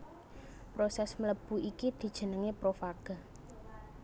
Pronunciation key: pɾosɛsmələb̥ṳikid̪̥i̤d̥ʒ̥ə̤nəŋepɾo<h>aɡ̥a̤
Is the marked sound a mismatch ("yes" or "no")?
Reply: yes